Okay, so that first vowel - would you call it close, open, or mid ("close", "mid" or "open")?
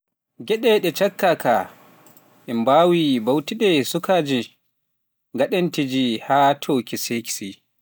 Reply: mid